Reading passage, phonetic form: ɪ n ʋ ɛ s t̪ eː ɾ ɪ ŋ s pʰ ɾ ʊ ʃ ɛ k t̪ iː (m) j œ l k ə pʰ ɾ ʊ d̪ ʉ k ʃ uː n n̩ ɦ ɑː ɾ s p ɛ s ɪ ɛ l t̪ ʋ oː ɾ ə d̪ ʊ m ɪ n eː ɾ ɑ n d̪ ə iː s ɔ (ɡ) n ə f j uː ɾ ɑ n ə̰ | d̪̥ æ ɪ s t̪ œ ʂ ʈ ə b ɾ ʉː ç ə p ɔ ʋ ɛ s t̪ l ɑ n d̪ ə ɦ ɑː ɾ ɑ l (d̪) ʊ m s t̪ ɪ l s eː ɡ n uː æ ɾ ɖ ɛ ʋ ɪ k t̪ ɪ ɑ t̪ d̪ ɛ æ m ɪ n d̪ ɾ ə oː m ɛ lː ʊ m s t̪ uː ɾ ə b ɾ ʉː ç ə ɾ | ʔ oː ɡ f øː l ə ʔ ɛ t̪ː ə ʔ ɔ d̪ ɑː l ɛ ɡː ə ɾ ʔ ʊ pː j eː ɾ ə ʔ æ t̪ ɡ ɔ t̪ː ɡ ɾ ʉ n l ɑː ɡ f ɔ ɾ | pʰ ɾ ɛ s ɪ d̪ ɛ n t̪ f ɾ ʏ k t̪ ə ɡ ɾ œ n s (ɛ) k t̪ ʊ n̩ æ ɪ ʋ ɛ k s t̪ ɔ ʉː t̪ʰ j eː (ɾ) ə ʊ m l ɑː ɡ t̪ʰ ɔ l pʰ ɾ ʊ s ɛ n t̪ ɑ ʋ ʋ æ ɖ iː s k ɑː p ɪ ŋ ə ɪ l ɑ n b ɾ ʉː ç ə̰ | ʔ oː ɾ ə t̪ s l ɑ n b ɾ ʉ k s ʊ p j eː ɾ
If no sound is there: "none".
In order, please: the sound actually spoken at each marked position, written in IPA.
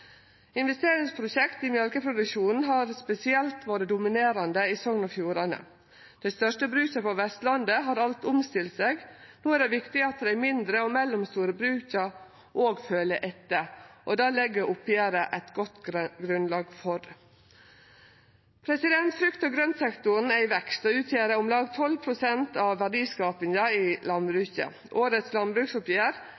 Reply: m, ŋ, t̪, ɛ, ɾ

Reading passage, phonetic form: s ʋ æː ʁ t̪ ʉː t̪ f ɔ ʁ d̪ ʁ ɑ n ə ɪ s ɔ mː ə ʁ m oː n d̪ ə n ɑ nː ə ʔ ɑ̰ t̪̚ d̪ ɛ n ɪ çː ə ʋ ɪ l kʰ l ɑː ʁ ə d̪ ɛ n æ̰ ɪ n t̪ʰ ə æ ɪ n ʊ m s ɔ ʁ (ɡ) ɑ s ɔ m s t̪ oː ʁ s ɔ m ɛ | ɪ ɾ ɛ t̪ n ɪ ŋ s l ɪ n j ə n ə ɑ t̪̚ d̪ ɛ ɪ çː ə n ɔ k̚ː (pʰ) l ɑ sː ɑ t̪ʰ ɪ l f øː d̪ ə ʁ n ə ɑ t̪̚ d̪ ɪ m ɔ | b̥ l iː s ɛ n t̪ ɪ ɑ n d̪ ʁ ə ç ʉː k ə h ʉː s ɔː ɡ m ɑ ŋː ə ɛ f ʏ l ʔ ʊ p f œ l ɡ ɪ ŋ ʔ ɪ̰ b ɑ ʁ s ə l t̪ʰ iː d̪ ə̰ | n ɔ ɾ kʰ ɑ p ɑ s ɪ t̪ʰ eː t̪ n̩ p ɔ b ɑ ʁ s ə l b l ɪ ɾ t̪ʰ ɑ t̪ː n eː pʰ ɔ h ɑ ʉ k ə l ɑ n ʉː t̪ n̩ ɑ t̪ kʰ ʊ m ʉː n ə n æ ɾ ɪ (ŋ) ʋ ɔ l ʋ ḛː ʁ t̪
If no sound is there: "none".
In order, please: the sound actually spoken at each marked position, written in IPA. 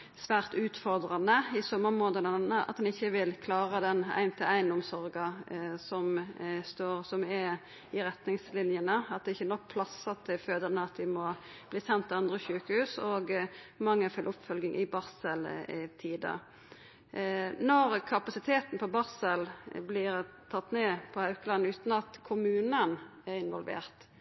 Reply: ɡ, pʰ, n

